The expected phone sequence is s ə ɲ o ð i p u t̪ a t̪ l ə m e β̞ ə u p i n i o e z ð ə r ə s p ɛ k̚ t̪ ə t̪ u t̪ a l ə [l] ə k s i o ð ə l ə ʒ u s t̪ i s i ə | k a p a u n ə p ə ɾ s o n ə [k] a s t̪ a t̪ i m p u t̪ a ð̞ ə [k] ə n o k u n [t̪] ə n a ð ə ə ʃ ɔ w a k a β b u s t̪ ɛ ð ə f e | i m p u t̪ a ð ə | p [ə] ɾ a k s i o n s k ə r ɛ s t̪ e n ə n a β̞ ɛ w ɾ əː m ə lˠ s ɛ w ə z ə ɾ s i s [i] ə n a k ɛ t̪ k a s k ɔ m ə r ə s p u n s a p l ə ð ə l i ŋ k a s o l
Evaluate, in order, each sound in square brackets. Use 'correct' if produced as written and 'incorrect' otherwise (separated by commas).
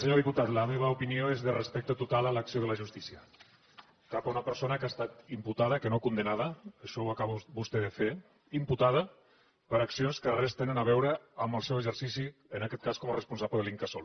correct, correct, correct, incorrect, correct, correct